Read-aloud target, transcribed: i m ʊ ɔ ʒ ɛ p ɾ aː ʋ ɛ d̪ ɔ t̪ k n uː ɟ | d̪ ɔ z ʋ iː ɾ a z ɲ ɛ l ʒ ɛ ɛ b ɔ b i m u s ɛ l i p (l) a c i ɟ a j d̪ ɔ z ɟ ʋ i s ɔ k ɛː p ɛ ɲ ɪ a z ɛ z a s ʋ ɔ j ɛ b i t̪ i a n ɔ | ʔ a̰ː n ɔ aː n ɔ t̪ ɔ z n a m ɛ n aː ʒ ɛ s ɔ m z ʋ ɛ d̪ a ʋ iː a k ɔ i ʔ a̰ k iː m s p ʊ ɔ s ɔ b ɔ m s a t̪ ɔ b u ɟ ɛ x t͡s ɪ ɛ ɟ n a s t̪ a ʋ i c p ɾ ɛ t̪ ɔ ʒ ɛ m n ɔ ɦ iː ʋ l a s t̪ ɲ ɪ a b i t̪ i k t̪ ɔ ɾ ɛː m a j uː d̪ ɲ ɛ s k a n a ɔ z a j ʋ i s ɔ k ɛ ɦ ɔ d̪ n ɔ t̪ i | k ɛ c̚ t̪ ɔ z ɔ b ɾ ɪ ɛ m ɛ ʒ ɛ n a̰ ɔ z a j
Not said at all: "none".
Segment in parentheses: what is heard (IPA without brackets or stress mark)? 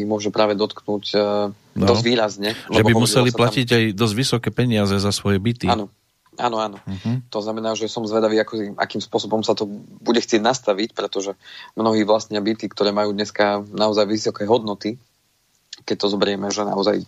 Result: l